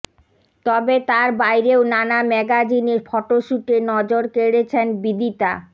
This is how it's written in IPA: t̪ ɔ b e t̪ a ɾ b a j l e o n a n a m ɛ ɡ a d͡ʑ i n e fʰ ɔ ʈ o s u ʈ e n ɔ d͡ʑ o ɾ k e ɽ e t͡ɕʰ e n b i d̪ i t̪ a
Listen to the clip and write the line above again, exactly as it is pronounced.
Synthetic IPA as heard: t̪ ɔ b e t̪ a ɾ b a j ɾ e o n a n a m ɛ ɡ a d͡ʑ i n e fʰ ɔ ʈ o ʃ u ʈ e n ɔ d͡ʑ o ɾ k e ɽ e t͡ɕʰ e n b i d̪ i t̪ a